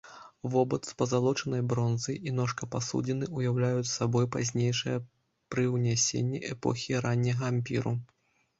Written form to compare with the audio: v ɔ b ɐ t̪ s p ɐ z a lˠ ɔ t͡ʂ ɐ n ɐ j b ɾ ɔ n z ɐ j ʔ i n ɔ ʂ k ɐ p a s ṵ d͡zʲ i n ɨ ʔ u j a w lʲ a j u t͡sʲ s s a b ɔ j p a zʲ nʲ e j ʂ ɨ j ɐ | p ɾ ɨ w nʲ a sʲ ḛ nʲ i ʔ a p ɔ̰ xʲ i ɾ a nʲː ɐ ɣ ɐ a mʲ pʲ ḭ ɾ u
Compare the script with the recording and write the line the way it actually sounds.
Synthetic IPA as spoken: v ɔ b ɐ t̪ s p ɐ z a lˠ ɔ t͡ʂ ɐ n ɐ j b ɾ ɔ n z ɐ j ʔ i n ɔ ʂ k ɐ p a s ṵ d͡zʲ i n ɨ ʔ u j a w lʲ a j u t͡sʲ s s a b ɔ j p a zʲ nʲ e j ʂ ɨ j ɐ | p ɾ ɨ w nʲ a sʲ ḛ nʲː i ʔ ɛ p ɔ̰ xʲ i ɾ a nʲː ɐ ɣ ɐ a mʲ pʲ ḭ ɾ u